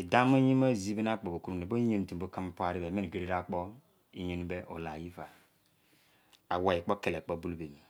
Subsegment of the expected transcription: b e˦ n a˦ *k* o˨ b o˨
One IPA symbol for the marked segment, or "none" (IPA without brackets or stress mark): k͡p